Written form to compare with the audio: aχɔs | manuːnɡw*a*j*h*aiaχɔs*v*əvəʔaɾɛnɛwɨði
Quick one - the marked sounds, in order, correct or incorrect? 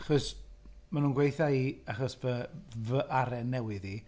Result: incorrect, incorrect, correct

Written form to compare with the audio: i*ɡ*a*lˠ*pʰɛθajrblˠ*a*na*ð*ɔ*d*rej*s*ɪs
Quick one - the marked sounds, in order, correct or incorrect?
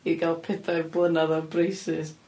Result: correct, correct, incorrect, correct, incorrect, correct

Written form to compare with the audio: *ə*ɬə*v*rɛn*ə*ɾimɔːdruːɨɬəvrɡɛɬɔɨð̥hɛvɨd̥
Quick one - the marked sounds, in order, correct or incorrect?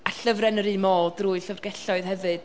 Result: incorrect, correct, correct

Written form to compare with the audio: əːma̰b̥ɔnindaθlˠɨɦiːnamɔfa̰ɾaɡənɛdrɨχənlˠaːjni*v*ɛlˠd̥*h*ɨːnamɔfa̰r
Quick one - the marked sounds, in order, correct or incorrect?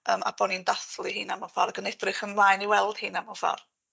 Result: incorrect, correct

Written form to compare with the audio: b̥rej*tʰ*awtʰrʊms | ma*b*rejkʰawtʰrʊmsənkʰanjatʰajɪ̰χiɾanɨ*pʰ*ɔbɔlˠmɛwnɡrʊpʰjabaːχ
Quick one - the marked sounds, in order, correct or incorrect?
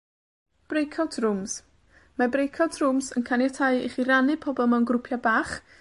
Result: incorrect, correct, correct

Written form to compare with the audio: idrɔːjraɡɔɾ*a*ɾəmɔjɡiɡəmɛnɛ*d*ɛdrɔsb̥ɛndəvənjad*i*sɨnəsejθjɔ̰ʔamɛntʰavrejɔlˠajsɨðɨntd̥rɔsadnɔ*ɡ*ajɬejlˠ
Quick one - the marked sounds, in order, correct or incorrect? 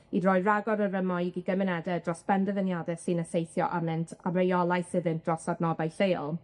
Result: incorrect, correct, incorrect, incorrect

